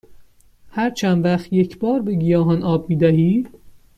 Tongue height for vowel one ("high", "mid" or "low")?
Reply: low